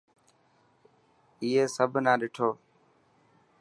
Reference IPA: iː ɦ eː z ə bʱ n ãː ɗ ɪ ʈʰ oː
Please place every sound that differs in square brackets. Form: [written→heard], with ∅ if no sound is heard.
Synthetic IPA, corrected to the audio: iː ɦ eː [z→s] ə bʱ n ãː ɗ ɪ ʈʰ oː